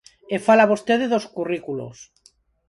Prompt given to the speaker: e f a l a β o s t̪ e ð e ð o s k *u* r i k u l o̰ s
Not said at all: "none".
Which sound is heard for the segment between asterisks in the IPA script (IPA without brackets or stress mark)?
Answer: u